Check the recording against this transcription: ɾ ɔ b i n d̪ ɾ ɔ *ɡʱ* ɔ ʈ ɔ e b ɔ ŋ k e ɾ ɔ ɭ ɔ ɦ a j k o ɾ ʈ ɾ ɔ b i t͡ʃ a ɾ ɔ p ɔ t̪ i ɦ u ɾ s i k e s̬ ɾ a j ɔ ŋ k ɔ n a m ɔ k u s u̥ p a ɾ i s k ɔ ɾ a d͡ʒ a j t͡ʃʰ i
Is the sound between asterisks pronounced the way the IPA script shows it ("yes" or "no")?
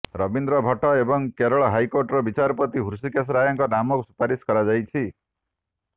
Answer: no